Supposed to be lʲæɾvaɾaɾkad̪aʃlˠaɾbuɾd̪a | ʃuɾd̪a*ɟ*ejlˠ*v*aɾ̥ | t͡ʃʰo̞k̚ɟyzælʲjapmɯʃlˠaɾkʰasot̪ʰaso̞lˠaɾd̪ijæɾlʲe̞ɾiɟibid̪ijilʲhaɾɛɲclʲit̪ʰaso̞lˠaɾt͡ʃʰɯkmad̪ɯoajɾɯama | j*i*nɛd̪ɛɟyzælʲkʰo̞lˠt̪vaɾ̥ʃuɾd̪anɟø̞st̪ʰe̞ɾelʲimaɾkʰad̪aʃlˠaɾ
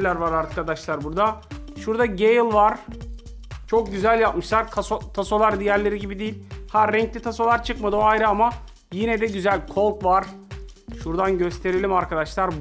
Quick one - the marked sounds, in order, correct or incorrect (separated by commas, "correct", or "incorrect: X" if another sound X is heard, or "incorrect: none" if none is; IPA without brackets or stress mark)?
correct, correct, correct